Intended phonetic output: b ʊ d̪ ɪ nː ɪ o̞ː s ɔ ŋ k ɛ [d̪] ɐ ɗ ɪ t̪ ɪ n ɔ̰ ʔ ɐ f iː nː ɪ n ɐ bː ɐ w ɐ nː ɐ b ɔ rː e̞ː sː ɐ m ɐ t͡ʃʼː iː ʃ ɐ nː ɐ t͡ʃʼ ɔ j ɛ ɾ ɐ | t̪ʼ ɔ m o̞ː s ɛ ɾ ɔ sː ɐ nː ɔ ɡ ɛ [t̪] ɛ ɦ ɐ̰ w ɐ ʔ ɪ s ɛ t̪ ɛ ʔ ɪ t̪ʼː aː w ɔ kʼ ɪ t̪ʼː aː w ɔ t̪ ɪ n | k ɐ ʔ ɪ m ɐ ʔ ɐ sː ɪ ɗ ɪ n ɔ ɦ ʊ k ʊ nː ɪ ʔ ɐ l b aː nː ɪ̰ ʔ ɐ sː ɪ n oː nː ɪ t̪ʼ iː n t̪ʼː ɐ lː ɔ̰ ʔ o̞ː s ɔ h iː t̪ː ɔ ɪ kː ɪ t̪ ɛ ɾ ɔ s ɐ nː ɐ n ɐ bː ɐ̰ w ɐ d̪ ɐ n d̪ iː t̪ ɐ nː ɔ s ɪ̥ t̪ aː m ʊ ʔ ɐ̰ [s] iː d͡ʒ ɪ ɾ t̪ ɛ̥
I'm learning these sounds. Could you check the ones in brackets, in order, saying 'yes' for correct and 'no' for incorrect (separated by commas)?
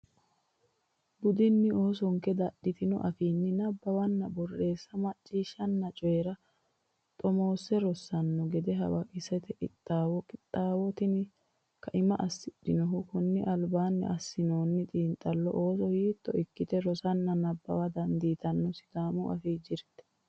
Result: yes, no, no